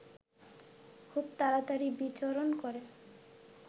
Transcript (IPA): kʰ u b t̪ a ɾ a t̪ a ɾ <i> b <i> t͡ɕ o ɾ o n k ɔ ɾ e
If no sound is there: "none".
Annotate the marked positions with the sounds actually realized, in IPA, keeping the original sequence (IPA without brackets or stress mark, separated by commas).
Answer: i, i